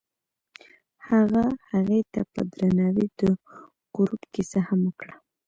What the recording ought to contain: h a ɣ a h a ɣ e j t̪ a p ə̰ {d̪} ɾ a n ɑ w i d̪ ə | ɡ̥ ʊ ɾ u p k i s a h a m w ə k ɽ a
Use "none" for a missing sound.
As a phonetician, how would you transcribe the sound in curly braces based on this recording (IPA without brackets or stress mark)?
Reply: d̪